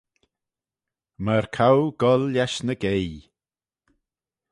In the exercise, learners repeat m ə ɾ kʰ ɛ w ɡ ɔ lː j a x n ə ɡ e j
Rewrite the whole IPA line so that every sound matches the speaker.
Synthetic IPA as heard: m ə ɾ kʰ a w ɡ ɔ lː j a ʃ n ə ɡ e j

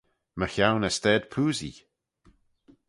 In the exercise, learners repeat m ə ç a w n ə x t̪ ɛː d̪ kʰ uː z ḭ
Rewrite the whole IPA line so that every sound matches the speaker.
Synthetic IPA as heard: m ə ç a w n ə s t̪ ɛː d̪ pʰ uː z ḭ

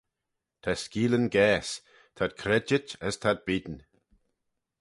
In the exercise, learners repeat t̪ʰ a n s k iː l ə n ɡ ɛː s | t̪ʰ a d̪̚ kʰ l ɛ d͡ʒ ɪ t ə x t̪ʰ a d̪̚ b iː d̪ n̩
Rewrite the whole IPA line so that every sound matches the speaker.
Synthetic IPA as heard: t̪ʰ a s k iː l ə n ɡ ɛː s | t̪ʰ a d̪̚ kʰ ɾ ɛ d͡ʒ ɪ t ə s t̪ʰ a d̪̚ b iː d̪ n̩

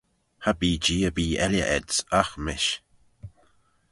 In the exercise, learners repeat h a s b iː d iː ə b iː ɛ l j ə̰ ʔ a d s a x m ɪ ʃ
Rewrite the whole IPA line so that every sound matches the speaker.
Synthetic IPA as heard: h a b iː d͡ʒ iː ə b iː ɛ l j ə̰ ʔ ɛ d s a x m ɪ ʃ

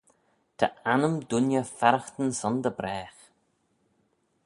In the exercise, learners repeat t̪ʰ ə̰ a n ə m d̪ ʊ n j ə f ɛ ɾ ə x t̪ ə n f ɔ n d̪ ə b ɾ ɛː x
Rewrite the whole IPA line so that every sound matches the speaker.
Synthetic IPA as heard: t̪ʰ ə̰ a n ə m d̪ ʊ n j ə f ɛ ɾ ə x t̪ ə n s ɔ n d̪ ə b ɾ ɛː x

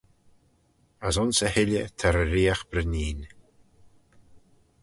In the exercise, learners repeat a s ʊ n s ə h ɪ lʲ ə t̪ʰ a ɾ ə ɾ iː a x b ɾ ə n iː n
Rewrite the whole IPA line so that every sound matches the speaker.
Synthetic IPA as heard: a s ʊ n s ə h ɪ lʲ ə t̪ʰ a ɾ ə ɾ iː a x b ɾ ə n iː n

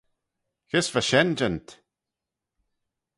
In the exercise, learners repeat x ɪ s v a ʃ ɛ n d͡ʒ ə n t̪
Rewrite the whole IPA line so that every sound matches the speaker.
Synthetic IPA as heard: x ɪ s v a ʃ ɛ n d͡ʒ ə n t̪

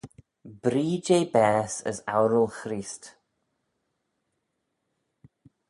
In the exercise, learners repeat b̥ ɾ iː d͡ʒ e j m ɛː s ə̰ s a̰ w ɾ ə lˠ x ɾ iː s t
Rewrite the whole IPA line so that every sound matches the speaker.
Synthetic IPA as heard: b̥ ɾ iː d͡ʒ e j b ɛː s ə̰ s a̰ w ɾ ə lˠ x ɾ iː s t

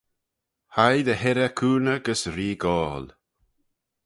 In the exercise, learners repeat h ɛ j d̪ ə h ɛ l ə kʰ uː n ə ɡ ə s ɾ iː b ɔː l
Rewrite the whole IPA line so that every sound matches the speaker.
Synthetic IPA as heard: h a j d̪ ə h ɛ ɾ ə kʰ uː n ə ɡ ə s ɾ iː ɡ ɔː l

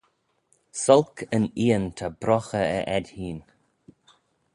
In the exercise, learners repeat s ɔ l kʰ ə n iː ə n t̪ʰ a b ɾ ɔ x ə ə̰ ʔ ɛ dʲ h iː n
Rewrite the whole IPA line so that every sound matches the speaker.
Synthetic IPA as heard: s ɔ l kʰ ə n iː ə n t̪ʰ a b ɾ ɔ x ə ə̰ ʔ ɛ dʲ h iː n

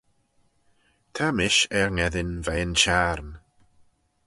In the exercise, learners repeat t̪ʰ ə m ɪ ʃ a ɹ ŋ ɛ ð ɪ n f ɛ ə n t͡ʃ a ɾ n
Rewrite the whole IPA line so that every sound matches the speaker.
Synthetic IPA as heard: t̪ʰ a m ɪ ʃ ɛ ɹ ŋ ɛ ð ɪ n v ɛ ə n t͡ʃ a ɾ n

